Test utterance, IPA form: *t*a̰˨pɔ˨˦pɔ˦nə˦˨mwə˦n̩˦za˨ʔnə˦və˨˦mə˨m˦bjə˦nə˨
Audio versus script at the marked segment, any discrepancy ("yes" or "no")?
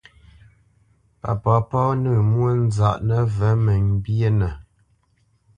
yes